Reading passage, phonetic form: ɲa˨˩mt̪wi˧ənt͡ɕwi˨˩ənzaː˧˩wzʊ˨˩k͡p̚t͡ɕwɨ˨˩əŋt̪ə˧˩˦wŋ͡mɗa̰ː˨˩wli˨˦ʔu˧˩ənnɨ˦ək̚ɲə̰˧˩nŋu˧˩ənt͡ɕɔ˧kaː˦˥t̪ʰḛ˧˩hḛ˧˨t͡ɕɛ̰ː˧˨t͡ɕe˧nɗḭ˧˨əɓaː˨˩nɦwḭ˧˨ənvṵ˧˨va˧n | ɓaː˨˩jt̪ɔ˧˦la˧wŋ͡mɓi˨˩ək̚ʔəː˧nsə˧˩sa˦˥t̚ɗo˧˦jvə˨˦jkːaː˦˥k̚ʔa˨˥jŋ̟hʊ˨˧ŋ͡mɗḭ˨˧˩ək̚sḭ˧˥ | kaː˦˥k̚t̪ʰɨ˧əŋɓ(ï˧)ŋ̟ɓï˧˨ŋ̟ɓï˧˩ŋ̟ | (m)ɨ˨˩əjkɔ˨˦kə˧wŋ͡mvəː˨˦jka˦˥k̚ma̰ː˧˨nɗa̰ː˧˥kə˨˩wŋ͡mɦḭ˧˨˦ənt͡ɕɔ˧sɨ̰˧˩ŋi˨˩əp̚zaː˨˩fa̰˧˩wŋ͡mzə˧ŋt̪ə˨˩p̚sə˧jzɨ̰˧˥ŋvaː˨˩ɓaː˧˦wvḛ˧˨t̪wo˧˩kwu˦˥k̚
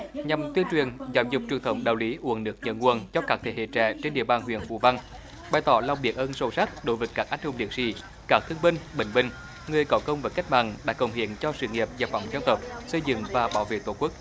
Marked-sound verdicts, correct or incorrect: correct, incorrect: ŋ

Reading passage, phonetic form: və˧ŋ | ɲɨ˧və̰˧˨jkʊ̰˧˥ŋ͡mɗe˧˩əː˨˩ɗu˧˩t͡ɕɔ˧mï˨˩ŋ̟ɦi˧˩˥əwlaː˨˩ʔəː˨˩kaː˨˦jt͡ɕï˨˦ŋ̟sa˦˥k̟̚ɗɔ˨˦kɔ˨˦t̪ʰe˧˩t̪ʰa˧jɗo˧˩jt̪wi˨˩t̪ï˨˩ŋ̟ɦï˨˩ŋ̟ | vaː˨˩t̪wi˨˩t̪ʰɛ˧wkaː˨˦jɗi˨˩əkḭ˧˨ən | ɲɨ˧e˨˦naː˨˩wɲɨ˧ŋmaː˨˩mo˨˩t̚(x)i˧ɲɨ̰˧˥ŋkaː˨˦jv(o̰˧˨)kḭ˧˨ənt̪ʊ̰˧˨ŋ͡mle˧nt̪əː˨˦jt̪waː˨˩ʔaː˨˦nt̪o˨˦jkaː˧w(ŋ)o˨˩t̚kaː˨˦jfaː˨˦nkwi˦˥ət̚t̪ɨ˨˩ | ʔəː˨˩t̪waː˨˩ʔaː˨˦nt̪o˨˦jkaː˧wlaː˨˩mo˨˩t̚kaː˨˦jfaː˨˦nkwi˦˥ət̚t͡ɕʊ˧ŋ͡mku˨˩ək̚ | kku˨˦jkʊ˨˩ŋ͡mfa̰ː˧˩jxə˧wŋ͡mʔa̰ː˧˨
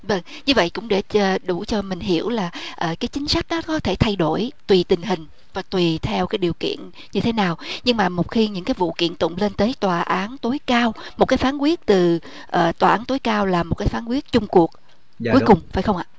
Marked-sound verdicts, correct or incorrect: correct, incorrect: ṵ˧˨, incorrect: m

